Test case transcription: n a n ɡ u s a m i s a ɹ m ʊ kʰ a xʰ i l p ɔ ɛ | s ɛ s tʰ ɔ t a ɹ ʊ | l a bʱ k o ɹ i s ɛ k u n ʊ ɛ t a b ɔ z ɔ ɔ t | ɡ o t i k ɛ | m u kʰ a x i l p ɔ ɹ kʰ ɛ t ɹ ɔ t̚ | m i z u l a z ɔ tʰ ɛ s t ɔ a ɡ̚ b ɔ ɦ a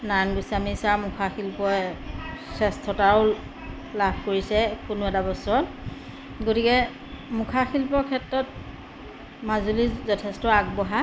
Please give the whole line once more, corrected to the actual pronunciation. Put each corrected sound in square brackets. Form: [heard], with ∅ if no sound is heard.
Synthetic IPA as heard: n a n ɡ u s a m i s a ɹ m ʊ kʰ a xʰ i l p ɔ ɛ | s ɛ s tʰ ɔ t a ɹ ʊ | l a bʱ k o ɹ i s ɛ k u n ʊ ɛ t a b ɔ [s] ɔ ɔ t | ɡ o t i k ɛ | m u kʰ a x i l p ɔ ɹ kʰ ɛ t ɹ ɔ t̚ | m [a] z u l [i] z ɔ tʰ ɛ s t ɔ a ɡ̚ b ɔ ɦ a